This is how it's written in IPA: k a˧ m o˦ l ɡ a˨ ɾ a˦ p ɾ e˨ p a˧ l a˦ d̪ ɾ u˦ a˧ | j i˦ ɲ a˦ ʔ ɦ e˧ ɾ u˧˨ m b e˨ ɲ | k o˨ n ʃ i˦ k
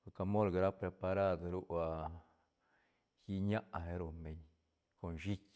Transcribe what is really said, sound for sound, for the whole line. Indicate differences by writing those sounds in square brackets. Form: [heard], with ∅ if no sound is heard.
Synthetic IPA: k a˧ m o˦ l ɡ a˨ ɾ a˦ p ɾ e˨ p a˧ [ɾ] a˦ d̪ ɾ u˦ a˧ | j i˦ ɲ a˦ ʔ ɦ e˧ ɾ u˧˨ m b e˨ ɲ | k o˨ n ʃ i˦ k